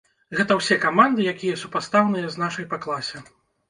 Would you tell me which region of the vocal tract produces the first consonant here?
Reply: velum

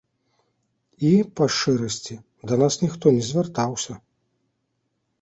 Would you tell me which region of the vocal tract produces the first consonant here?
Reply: lips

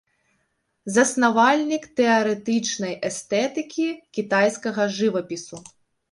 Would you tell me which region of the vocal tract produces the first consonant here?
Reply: tongue tip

